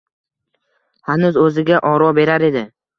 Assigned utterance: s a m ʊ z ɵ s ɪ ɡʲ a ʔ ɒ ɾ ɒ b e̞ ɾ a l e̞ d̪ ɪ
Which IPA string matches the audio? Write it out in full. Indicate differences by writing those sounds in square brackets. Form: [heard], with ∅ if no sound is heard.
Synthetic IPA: [h] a [n] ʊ z ɵ [z] ɪ ɡʲ a ʔ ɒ ɾ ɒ b e̞ ɾ a [ɾ] e̞ d̪ ɪ